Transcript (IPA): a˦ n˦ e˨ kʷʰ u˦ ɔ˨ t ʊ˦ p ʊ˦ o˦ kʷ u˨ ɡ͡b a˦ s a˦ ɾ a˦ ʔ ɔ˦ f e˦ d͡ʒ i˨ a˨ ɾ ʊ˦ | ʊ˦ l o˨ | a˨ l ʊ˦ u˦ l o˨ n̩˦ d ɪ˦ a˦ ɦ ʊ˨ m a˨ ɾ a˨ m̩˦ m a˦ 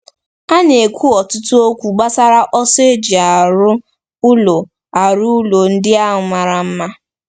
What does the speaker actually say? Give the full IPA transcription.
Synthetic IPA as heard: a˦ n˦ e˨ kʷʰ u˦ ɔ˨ t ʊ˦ t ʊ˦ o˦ kʷ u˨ ɡ͡b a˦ s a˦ ɾ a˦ ʔ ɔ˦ s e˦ d͡ʒ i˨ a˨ ɾ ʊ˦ | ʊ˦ l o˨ | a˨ ɾ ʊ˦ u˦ l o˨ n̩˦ d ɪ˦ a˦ ɦ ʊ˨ m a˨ ɾ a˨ m̩˦ m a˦

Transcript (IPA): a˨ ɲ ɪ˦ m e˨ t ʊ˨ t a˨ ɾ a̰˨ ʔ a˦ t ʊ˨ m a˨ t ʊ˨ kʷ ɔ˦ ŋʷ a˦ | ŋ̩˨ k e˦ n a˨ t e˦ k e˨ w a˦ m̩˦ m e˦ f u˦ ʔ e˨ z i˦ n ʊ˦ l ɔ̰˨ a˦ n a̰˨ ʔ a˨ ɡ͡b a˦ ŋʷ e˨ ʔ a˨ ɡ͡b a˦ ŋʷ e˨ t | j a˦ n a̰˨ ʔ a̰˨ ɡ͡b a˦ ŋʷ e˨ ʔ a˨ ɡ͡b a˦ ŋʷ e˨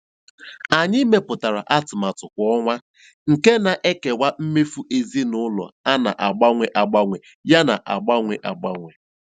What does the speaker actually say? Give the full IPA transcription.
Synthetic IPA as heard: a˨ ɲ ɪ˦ m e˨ p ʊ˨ t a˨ ɾ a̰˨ ʔ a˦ t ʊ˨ m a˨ t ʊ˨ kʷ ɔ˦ ŋʷ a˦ | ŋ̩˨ k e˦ n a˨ ʔ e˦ k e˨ w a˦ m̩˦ m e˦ f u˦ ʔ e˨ z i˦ n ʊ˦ l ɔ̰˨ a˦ n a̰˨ ʔ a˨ ɡ͡b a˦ ŋʷ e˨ ʔ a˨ ɡ͡b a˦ ŋʷ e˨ | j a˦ n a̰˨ ʔ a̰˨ ɡ͡b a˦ ŋʷ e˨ ʔ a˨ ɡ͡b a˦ ŋʷ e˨

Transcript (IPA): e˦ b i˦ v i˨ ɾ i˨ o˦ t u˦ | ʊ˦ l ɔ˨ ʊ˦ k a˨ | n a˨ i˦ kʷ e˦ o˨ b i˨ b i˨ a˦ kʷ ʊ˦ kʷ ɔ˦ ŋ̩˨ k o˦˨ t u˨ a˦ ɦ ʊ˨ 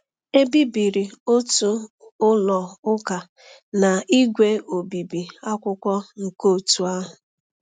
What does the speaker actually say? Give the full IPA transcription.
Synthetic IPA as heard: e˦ b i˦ b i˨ ɾ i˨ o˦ t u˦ | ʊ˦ l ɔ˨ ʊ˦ k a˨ | n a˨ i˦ ɡʷ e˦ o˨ b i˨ b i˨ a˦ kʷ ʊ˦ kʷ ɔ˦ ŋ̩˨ k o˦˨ t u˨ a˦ ɦ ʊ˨

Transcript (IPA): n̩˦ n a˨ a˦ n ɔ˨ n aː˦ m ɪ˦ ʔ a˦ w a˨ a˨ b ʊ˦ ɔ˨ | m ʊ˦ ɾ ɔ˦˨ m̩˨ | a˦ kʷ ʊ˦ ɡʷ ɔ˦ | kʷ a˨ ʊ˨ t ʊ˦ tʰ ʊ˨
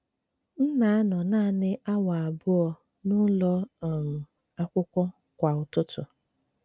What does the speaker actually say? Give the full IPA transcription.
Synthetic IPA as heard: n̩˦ n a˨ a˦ n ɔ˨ n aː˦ n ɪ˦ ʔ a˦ w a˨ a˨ b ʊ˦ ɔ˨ | n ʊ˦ l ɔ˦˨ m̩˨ | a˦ kʷ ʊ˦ kʷ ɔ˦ | kʷ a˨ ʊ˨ t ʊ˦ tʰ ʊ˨

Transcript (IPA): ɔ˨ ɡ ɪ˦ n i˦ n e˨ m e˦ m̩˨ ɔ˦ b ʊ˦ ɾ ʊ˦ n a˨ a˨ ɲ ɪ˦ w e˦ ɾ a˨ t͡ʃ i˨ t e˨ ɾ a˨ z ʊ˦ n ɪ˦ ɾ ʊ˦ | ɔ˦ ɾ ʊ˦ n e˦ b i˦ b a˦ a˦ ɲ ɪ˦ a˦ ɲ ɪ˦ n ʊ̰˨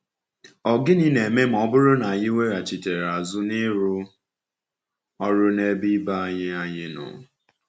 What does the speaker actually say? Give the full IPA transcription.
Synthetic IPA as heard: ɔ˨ ɡ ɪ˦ n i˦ n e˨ m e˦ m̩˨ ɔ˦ b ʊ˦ ɾ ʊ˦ n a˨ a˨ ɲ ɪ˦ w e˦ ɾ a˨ t͡ʃ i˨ t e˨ ɾ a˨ z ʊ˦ n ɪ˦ ɾ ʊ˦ | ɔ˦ ɾ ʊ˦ n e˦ b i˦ b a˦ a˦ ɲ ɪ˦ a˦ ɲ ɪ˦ n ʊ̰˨

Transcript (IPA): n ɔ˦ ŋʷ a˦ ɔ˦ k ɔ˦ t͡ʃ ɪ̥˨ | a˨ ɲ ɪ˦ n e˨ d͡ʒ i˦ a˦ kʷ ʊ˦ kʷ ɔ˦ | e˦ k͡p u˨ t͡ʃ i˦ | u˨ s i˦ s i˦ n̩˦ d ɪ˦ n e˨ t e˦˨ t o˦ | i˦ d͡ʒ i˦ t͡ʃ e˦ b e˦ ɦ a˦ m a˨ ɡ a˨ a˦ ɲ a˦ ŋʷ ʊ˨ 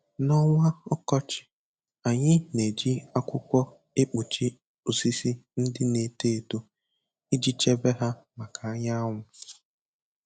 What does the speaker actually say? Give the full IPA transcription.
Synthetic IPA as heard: n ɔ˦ ŋʷ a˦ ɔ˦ k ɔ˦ t͡ʃ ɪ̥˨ | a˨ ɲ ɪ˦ n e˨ d͡ʒ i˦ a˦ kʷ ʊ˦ kʷ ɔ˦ | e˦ k͡p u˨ t͡ʃ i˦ | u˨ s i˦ s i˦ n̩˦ d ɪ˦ n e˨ t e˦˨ t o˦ | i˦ d͡ʒ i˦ t͡ʃ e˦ b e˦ ɦ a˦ m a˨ k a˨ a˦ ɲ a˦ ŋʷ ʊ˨

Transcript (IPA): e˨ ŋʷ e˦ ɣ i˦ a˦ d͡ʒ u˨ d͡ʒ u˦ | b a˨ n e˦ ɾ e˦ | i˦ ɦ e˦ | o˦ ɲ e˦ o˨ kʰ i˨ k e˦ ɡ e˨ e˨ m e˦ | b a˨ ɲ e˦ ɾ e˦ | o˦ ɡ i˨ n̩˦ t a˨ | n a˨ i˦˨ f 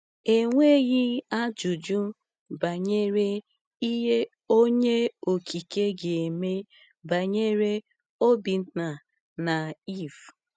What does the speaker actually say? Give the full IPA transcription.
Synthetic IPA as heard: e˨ ŋʷ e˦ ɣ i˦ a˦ d͡ʒ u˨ d͡ʒ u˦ | b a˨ ɲ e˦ ɾ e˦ | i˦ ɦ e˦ | o˦ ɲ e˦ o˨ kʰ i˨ k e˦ ɡ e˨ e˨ m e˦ | b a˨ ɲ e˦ ɾ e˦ | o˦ b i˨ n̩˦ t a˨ | n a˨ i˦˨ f

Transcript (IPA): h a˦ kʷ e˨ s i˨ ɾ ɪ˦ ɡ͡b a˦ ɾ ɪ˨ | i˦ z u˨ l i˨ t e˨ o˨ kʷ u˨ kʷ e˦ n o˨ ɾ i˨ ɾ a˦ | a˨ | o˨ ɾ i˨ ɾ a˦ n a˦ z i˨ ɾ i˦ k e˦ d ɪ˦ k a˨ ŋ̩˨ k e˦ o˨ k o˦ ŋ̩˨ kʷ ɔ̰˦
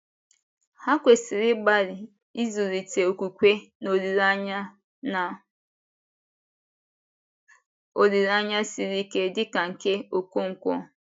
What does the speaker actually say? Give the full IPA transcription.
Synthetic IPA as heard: h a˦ kʷ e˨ s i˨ ɾ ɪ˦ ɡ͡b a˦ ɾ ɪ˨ | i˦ z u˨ ɾ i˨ t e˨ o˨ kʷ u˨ kʷ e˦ n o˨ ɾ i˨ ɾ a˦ | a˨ | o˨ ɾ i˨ ɾ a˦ ɲ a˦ s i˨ ɾ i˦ k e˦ d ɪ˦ k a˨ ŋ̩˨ k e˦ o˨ k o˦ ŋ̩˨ kʷ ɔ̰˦

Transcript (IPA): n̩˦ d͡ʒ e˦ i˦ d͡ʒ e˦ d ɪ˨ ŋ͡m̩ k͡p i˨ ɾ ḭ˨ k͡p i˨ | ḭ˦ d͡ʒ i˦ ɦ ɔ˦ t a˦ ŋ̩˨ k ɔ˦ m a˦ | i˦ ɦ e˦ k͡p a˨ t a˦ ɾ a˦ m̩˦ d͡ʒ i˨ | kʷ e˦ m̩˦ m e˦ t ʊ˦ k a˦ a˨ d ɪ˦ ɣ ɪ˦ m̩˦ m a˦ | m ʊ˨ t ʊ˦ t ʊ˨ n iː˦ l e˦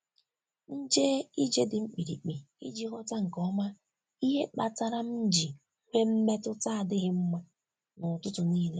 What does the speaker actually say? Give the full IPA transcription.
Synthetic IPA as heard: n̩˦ d͡ʒ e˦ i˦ d͡ʒ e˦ d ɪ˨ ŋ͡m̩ k͡p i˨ ɾ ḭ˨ k͡p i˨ | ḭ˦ d͡ʒ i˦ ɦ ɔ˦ t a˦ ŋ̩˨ k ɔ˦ m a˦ | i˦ ɦ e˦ k͡p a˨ t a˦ ɾ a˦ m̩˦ d͡ʒ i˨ | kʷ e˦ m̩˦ m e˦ t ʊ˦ t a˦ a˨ d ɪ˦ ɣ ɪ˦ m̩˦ m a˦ | n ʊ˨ t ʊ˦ t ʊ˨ n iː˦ l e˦

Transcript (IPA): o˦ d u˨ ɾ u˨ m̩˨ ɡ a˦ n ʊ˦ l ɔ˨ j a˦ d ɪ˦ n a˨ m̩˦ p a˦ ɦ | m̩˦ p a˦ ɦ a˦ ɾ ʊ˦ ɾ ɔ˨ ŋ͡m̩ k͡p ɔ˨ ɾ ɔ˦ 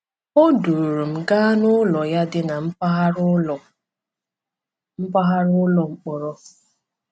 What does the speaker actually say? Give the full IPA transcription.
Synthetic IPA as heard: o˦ d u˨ ɾ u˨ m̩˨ ɡ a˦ n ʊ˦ l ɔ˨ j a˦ d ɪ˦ n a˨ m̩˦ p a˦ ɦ | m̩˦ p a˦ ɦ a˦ ɾ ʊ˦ l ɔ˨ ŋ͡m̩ k͡p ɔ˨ ɾ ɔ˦

